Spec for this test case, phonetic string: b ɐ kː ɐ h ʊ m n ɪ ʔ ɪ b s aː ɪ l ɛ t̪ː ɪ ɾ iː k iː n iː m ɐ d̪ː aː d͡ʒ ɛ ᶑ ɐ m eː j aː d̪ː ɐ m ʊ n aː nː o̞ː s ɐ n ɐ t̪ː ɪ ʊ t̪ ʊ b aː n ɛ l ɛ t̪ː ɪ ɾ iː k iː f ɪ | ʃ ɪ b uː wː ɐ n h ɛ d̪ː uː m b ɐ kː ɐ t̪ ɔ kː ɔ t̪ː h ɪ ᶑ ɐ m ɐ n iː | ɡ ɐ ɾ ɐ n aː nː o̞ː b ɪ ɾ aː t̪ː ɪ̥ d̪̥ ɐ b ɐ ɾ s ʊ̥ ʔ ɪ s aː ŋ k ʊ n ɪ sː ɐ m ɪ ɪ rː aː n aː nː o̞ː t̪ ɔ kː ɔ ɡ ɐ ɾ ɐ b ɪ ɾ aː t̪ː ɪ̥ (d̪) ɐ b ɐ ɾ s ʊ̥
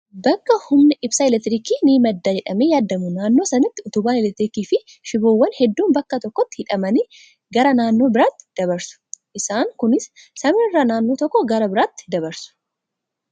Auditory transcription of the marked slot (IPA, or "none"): d̪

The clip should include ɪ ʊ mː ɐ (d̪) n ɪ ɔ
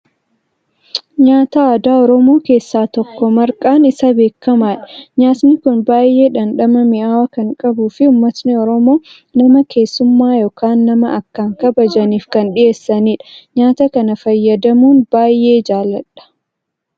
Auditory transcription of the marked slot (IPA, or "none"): t̪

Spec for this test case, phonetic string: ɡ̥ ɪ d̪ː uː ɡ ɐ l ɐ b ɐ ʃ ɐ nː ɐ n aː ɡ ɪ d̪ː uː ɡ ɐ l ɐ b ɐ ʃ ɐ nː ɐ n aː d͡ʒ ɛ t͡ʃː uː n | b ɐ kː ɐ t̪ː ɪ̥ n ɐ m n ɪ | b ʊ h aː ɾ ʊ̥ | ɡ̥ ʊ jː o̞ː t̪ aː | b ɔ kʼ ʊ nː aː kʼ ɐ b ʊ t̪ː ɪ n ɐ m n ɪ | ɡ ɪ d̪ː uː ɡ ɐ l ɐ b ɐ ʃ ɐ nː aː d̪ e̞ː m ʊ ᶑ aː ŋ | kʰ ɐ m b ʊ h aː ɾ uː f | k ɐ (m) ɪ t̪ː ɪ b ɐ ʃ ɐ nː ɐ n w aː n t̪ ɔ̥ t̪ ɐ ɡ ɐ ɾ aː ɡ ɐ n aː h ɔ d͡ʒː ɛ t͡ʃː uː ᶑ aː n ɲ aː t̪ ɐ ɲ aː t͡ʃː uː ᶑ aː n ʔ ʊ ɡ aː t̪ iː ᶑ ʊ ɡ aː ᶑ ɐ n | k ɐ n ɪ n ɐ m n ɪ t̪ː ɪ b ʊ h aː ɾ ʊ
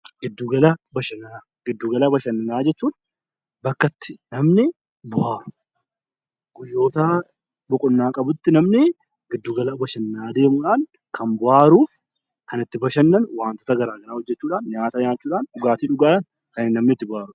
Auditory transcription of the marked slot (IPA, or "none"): n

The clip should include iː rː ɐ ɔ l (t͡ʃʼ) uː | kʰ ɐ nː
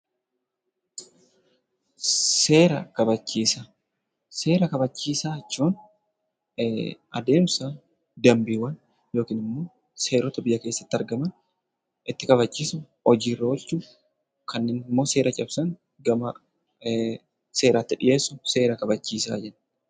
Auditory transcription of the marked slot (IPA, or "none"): t͡ʃ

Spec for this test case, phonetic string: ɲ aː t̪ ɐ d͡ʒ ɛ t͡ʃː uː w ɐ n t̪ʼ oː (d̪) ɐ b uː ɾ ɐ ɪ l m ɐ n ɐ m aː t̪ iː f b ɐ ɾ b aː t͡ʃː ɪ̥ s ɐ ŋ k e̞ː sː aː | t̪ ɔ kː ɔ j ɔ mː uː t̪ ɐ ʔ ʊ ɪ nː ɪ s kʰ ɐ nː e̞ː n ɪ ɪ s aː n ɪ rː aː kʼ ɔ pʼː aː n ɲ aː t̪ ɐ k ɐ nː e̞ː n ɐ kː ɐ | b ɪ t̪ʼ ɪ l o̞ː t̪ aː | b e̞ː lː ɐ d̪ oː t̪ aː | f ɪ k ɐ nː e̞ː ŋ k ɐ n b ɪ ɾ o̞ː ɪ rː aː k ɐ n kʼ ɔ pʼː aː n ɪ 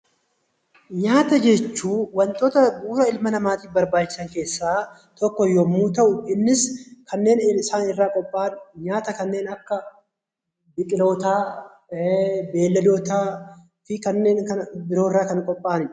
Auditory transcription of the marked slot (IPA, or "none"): t̪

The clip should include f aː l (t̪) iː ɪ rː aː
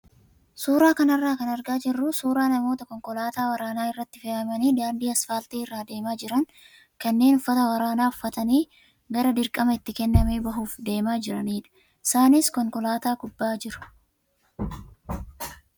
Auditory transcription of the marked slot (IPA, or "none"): t̪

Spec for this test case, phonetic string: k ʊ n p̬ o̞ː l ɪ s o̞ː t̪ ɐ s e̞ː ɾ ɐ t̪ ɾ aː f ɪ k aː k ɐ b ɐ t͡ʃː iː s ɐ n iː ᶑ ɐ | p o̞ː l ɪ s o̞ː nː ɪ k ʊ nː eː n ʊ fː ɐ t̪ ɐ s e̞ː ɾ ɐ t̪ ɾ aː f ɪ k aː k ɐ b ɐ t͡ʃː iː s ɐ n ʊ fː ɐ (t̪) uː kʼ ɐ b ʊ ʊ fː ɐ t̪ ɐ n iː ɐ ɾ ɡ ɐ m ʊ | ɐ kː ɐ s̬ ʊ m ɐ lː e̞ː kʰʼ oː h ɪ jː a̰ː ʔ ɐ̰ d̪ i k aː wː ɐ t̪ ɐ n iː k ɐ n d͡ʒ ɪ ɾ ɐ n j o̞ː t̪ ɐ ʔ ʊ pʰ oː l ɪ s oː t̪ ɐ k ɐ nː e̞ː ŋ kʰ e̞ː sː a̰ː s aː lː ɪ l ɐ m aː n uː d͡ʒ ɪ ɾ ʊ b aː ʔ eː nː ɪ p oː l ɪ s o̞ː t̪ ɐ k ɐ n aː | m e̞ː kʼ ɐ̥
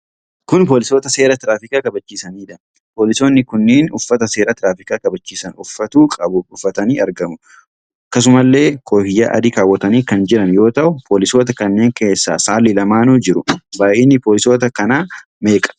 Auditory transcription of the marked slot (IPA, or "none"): t̪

